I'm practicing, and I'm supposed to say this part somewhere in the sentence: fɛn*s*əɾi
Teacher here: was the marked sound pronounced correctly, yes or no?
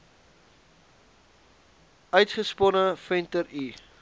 no